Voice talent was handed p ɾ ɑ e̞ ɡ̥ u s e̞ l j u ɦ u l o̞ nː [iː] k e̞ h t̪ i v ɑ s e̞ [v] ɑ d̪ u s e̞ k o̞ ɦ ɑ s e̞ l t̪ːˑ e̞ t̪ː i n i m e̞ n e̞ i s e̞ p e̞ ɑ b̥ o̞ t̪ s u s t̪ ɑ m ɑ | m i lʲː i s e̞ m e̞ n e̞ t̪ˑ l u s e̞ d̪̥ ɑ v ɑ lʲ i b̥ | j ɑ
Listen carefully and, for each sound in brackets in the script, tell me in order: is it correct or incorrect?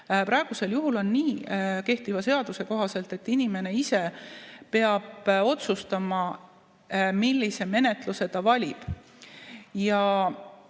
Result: correct, incorrect

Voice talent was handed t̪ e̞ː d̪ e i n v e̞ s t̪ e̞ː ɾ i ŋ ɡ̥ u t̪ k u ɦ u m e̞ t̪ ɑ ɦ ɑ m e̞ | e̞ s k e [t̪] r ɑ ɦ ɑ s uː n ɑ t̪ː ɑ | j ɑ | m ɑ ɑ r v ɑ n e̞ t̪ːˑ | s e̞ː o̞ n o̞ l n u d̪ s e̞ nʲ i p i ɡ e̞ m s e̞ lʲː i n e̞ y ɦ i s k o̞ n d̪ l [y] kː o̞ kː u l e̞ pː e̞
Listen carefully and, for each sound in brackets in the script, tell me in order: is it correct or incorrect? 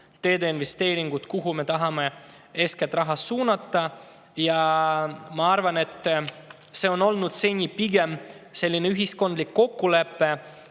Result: correct, incorrect

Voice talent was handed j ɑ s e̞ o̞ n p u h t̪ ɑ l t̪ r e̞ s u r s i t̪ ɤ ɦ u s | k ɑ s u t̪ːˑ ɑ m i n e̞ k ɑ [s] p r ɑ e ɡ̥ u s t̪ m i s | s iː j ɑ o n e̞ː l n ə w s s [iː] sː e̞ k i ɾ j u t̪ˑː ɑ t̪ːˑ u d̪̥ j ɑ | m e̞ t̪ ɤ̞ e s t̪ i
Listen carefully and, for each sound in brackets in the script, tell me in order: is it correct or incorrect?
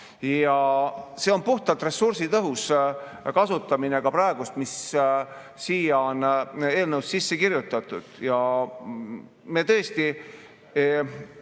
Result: incorrect, incorrect

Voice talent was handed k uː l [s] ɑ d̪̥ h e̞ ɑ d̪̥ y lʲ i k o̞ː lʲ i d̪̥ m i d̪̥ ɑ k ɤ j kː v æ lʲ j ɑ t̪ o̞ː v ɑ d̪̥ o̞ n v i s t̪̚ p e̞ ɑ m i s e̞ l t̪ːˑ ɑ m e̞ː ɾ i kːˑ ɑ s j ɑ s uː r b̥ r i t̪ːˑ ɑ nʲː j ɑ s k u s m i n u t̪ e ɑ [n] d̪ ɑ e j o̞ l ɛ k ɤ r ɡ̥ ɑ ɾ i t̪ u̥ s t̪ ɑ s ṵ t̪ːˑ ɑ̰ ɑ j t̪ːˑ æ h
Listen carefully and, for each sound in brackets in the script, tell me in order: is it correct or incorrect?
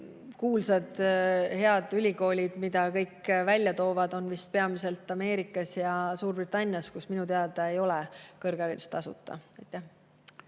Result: correct, incorrect

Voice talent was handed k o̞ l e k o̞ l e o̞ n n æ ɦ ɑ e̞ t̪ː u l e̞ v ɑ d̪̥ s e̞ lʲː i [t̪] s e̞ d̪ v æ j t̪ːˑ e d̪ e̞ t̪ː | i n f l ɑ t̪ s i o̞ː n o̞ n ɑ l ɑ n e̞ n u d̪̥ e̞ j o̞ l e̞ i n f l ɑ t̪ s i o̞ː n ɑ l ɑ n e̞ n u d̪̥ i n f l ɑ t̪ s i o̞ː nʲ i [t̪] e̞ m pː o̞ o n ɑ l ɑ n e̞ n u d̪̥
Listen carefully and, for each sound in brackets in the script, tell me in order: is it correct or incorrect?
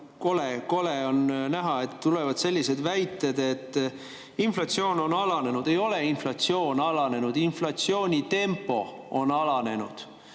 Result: incorrect, correct

